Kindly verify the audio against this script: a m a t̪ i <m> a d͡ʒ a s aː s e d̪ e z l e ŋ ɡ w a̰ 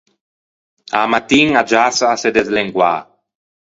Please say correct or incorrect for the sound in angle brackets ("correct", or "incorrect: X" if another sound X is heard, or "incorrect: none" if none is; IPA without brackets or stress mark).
incorrect: ŋ